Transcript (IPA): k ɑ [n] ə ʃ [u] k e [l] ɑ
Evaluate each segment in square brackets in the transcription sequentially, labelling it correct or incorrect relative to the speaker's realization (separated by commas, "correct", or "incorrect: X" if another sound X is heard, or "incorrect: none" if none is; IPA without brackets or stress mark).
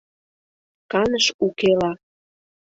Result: correct, correct, correct